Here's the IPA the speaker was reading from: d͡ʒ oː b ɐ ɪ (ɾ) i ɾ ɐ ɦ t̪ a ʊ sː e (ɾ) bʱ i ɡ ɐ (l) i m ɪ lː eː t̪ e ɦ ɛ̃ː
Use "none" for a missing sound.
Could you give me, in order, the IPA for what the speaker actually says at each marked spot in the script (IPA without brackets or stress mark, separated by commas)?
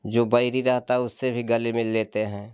ɾ, none, l